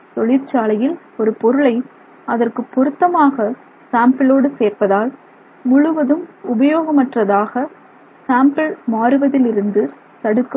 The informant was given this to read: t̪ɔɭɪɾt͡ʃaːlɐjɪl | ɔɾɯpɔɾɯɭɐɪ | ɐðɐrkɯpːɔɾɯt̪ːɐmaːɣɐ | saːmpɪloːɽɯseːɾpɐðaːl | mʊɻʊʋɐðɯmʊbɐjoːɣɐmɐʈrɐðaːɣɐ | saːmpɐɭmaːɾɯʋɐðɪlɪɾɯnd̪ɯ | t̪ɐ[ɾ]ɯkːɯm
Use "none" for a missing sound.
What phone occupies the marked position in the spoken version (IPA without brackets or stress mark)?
ɽ